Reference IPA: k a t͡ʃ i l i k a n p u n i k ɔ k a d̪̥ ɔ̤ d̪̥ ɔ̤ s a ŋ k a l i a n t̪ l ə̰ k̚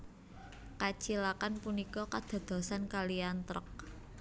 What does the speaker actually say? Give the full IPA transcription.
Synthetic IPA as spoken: k a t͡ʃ i l a k a n p u n i k ɔ k a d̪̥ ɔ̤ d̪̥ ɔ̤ s a n k a l i a n t̪ ɾ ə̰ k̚